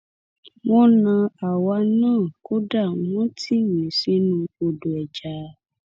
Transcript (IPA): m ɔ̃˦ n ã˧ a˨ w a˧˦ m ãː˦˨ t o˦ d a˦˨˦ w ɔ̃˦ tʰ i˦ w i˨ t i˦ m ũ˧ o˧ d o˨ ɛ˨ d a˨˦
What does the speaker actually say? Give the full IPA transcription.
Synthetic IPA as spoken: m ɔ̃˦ n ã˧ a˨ w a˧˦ n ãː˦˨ k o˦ d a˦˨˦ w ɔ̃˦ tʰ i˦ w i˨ s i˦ n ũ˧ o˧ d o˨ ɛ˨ d͡ʒ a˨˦